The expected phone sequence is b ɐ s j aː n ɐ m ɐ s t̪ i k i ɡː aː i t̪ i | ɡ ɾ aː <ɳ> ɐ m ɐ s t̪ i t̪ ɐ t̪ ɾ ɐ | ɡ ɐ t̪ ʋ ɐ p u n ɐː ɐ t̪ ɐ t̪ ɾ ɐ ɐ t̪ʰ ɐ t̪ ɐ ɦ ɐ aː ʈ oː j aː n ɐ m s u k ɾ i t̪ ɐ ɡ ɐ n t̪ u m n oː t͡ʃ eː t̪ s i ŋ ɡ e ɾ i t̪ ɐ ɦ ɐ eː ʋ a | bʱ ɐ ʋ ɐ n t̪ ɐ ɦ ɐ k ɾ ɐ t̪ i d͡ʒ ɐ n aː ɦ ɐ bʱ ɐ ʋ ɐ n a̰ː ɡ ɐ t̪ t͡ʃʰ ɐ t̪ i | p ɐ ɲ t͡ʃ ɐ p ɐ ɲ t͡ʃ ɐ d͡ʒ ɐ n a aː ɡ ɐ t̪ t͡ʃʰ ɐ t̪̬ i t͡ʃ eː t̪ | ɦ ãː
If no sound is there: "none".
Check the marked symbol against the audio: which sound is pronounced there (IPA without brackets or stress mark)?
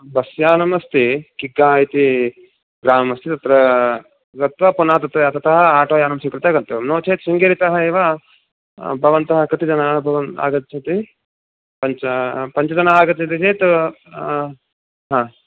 m